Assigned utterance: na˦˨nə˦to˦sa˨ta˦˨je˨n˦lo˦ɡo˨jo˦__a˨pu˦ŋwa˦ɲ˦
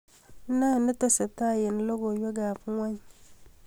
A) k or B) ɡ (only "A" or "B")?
B